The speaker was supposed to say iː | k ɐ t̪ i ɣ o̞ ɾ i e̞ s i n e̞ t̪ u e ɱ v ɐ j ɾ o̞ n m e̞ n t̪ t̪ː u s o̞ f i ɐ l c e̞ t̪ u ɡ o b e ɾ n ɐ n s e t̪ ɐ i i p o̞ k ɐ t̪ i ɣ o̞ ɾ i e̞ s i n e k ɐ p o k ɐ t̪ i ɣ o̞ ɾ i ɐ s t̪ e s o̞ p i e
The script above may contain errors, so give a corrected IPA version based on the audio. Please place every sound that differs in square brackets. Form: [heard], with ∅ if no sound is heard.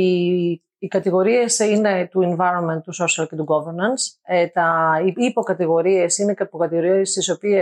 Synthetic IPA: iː | k ɐ t̪ i ɣ o̞ ɾ i e̞ s i n e̞ t̪ u e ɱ v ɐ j ɾ o̞ n m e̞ n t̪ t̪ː u s o̞ [s] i ɐ l c e̞ t̪ u ɡ o [v] e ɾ n ɐ n s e t̪ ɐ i i p o̞ k ɐ t̪ i ɣ o̞ ɾ i e̞ s i n e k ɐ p o k ɐ t̪ i ɣ o̞ ɾ i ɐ s t̪ [i] s o̞ p i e